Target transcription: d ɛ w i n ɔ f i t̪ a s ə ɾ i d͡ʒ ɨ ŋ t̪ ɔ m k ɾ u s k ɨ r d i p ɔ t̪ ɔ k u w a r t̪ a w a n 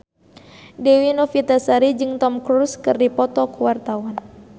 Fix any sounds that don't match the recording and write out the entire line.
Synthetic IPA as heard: d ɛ w i n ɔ f i t̪ a s a ɾ i d͡ʒ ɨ ŋ t̪ ɔ m k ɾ u s k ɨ r d i p ɔ t̪ ɔ k u w a r t̪ a w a n